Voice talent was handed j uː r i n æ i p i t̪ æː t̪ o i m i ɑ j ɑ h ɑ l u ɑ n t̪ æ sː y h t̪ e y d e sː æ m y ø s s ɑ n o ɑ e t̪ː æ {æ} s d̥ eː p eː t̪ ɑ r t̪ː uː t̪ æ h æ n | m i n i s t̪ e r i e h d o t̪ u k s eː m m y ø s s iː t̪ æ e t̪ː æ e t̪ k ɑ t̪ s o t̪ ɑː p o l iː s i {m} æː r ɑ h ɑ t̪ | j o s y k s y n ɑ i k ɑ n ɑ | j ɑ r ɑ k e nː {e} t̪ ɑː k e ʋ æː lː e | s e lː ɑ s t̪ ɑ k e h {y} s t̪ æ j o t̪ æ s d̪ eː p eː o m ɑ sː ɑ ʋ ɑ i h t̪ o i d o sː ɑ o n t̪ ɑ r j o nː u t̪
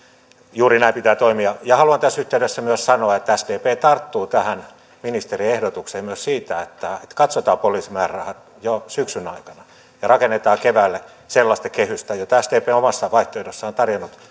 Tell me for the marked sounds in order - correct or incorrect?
correct, correct, correct, correct

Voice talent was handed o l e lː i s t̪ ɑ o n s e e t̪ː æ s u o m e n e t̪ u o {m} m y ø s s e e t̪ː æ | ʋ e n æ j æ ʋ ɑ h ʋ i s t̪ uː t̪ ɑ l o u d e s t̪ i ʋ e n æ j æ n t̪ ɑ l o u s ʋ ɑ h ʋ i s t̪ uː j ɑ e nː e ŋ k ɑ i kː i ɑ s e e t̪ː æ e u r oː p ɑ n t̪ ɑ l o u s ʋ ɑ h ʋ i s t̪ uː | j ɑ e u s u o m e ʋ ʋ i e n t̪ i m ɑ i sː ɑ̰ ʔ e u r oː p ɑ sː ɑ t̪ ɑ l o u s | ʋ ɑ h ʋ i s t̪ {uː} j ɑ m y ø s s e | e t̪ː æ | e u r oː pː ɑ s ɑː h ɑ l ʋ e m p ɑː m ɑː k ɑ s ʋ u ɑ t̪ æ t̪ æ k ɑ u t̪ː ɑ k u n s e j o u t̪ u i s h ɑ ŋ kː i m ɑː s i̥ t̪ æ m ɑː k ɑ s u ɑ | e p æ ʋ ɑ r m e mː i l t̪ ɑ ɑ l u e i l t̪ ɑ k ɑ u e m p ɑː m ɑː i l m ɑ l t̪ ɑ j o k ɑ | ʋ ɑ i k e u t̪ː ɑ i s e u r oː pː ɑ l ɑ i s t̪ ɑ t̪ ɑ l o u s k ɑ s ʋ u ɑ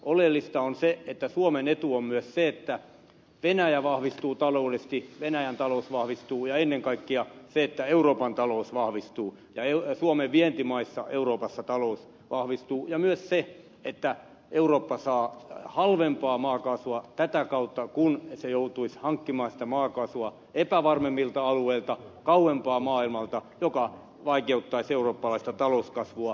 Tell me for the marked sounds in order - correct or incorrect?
correct, correct

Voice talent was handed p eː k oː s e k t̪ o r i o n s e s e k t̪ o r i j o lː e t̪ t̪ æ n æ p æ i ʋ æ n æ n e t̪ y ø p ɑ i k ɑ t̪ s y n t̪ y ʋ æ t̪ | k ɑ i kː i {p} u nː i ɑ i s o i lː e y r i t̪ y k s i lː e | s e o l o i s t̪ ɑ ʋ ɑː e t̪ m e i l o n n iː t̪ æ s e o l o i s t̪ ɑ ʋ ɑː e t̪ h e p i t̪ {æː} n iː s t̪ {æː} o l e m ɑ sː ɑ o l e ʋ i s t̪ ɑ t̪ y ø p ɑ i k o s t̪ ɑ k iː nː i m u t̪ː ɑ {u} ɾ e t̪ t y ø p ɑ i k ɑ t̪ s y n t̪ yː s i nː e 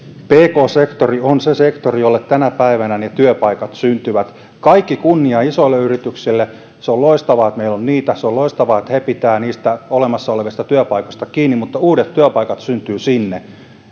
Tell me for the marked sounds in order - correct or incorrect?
incorrect: k, correct, incorrect: æ, incorrect: uː

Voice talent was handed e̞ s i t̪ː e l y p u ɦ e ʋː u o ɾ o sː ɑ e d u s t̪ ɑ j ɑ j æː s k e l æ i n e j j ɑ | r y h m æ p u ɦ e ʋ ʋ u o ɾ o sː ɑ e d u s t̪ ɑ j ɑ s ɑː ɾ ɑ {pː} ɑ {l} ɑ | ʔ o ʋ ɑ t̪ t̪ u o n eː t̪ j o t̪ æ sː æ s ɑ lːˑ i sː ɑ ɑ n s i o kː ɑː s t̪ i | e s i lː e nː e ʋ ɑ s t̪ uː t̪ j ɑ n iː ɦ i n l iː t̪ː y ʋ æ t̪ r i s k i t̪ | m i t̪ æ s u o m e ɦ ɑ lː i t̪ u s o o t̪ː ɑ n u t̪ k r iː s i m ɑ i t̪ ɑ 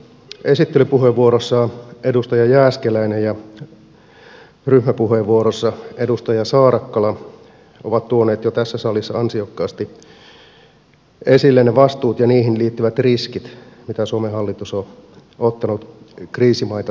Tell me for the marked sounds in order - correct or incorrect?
incorrect: kː, correct

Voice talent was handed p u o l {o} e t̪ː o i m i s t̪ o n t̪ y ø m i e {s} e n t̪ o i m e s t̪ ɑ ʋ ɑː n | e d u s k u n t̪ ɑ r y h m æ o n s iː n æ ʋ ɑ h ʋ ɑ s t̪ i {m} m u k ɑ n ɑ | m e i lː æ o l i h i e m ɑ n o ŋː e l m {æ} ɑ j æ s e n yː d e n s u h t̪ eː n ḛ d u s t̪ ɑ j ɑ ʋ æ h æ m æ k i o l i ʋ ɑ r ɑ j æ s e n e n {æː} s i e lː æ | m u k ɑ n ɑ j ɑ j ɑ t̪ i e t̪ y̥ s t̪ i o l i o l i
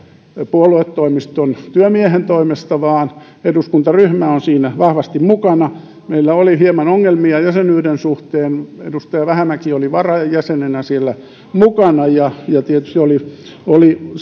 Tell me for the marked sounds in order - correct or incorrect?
incorrect: u, incorrect: h, correct, incorrect: i, incorrect: æ

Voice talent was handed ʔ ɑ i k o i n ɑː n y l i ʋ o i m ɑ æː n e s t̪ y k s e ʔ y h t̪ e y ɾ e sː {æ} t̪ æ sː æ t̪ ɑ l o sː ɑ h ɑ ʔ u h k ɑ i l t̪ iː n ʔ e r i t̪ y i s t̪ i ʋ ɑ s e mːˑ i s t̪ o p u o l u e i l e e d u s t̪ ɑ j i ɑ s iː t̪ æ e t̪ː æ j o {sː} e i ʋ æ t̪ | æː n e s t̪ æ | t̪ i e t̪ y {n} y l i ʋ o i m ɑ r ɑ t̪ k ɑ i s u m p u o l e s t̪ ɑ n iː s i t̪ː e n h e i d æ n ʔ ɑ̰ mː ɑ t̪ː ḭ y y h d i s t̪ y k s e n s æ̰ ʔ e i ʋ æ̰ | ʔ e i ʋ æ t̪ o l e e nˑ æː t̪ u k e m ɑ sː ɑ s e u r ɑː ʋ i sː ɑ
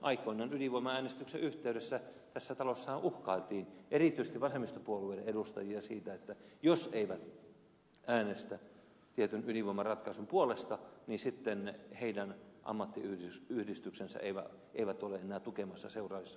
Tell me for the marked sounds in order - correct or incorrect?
correct, incorrect: s, correct

